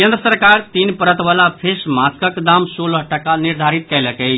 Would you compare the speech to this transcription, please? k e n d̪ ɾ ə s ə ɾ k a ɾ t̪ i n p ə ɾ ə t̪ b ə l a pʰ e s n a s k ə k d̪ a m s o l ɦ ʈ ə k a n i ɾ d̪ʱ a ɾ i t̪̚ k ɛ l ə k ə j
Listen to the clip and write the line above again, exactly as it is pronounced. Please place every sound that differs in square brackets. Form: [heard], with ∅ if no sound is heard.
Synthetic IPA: k e n d̪ ɾ ə s ə ɾ k a ɾ t̪ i n p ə ɾ ə t̪ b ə l a pʰ e s [m] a s k ə k d̪ a m s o l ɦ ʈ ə k a n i ɾ d̪ʱ a ɾ i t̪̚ k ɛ l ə k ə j